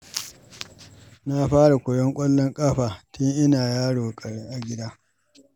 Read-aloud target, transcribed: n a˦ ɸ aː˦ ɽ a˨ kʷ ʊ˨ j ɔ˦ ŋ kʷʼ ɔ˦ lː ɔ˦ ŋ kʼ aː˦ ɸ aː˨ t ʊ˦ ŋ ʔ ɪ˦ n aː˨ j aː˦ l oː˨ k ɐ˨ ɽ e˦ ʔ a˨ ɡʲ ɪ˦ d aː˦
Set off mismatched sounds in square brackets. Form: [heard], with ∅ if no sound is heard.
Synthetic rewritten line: n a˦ ɸ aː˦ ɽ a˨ kʷ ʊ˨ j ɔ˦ ŋ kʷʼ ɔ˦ lː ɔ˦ ŋ kʼ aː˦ ɸ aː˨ t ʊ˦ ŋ ʔ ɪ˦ n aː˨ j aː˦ [ɽ] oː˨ [kʼ] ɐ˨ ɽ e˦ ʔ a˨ ɡʲ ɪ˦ d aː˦